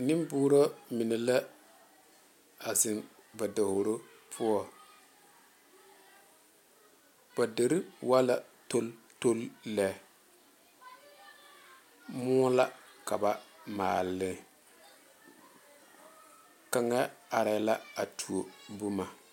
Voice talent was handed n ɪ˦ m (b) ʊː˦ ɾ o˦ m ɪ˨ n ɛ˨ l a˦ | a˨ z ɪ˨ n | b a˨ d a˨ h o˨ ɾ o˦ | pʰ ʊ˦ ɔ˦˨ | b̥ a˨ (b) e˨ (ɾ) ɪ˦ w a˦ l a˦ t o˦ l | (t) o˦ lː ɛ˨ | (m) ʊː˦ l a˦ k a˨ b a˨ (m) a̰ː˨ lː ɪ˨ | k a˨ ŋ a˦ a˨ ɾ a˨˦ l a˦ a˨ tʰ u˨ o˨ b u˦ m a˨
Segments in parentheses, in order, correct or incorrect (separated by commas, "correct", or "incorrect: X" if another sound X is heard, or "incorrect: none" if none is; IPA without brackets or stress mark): correct, incorrect: d, correct, correct, correct, correct